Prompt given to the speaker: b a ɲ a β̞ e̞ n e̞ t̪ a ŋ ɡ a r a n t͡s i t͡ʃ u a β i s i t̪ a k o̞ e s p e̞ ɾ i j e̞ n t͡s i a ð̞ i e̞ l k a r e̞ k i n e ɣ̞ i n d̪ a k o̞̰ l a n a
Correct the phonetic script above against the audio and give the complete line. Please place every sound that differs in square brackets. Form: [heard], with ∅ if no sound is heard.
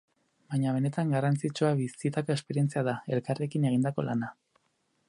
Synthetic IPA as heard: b a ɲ a β̞ e̞ n e̞ t̪ a ŋ ɡ a r a n t͡s i t͡ʃ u a β i s i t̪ a k o̞ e s p e̞ ɾ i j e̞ n t͡s i a ð̞ [a] e̞ l k a r e̞ k i n e ɣ̞ i n d̪ a k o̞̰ l a n a